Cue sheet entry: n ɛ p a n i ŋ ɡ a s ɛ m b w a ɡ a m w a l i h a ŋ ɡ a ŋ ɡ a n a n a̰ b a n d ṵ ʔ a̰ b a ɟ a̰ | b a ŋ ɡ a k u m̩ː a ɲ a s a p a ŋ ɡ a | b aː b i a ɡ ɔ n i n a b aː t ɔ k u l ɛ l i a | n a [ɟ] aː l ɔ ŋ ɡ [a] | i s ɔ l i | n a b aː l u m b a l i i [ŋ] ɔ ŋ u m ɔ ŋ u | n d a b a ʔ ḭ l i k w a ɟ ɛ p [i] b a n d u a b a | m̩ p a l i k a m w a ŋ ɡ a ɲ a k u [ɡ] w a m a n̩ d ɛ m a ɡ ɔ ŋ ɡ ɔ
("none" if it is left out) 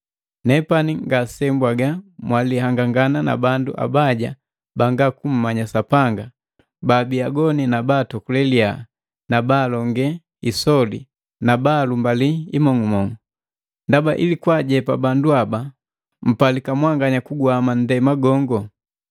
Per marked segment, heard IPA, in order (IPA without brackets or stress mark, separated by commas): b, ɛ, m, a, ɡ